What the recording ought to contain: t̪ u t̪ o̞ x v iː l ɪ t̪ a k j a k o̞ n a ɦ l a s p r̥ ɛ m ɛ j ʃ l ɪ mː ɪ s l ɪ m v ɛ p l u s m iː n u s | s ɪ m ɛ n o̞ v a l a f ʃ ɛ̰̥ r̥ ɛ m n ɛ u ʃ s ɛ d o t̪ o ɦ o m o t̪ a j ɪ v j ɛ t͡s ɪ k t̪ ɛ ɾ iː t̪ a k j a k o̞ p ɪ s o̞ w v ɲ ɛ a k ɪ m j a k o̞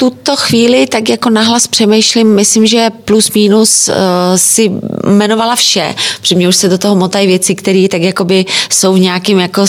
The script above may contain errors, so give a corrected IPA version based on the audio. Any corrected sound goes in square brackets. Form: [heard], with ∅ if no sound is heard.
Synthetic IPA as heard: t̪ u t̪ o̞ x v iː l ɪ t̪ a k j a k o̞ n a ɦ l a s p r̥ ɛ m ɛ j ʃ l ɪ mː ɪ s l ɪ m [ʒ] ɛ p l u s m iː n u s | s ɪ m ɛ n o̞ v a l a f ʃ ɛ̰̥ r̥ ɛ m [ɲ] ɛ u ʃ s ɛ d o t̪ o ɦ o m o t̪ a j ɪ v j ɛ t͡s ɪ k t̪ ɛ ɾ iː t̪ a k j a k o̞ [b] ɪ s o̞ w v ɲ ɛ a k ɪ m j a k o̞